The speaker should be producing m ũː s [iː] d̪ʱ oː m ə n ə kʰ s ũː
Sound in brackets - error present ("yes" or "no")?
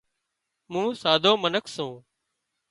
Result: yes